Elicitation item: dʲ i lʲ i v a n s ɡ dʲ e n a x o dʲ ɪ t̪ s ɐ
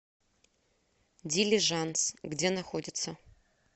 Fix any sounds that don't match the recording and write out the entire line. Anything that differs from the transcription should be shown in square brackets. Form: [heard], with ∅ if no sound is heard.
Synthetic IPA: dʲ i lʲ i [ʐ] a n s ɡ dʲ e n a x o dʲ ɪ t̪ s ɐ

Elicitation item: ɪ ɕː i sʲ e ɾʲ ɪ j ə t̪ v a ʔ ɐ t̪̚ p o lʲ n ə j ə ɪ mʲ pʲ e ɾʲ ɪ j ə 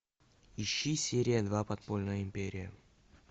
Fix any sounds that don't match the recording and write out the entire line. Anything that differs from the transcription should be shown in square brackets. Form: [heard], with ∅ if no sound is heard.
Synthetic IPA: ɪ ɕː i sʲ e ɾʲ ɪ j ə [d̪] v a [p] ɐ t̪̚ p o lʲ n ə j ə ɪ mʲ pʲ e ɾʲ ɪ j ə

